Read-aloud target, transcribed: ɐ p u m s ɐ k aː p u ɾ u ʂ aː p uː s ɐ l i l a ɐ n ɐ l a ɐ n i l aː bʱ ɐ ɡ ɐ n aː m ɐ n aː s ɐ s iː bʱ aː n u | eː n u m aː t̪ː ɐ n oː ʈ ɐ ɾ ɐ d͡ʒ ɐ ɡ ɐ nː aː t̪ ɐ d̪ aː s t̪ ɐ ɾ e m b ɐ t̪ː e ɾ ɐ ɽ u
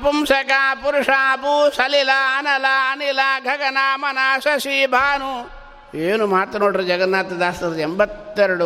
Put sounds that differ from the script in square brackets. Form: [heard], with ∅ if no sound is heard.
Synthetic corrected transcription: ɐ p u m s ɐ k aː p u ɾ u ʂ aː p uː s ɐ l i l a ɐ n ɐ l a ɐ n i l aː [ɡʱ] ɐ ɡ ɐ n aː m ɐ n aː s ɐ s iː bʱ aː n u | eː n u m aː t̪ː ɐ n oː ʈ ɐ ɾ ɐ d͡ʒ ɐ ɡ ɐ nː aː t̪ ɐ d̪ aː s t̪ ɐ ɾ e m b ɐ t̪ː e ɾ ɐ ɽ u